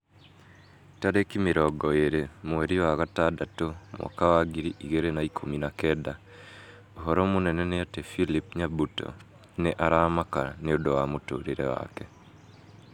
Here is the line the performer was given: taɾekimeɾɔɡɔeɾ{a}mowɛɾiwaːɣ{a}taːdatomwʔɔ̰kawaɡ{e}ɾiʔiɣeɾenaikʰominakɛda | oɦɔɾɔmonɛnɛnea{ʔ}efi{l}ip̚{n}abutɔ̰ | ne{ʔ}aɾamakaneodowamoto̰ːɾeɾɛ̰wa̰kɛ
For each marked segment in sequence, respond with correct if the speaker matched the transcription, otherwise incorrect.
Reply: incorrect, correct, incorrect, incorrect, correct, incorrect, correct

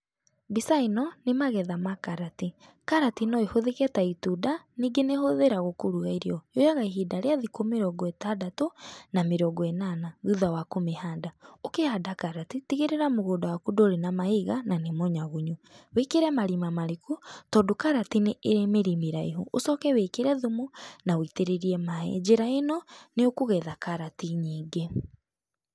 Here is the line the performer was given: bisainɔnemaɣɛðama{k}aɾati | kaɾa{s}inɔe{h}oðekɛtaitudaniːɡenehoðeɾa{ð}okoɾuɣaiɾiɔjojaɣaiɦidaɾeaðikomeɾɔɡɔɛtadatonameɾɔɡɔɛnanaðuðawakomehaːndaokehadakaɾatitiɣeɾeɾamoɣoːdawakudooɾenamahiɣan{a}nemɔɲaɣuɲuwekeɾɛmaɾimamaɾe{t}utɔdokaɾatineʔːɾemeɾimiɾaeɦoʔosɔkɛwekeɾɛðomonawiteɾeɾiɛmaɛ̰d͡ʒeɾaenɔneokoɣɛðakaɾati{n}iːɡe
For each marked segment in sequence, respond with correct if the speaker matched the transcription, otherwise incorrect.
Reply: correct, incorrect, correct, incorrect, correct, incorrect, incorrect

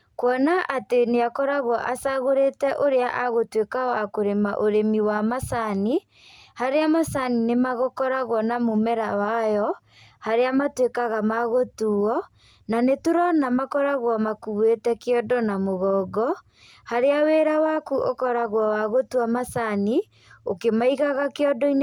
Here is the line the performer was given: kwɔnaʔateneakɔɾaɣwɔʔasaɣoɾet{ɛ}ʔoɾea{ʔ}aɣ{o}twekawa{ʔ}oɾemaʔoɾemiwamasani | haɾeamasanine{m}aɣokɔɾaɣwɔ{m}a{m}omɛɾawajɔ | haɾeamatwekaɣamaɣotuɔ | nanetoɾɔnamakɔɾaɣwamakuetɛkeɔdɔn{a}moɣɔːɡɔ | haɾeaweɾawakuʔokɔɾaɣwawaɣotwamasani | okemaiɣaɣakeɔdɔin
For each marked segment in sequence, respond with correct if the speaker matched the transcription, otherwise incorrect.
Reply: correct, correct, correct, incorrect, correct, incorrect, correct, correct

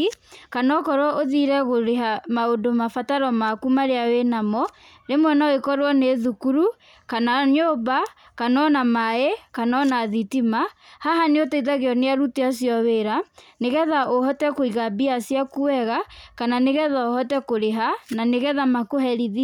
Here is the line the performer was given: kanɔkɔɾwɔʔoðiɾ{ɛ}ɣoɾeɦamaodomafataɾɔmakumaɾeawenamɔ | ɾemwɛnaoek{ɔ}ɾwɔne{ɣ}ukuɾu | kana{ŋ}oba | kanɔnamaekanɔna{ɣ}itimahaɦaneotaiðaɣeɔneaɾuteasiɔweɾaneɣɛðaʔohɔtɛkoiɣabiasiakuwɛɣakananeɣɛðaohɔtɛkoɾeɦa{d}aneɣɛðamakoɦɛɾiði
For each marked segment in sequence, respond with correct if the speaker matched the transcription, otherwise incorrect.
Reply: correct, correct, incorrect, incorrect, incorrect, incorrect

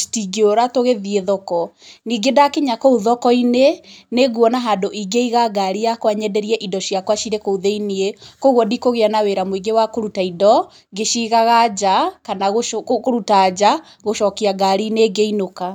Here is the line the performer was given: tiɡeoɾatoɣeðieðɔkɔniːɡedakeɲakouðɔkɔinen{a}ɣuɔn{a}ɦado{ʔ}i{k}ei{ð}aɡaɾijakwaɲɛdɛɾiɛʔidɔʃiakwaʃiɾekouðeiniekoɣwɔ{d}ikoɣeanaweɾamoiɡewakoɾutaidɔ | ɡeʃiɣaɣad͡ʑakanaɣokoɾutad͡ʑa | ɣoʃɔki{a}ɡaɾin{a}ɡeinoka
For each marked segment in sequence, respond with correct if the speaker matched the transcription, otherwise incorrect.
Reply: incorrect, correct, correct, incorrect, incorrect, correct, correct, incorrect

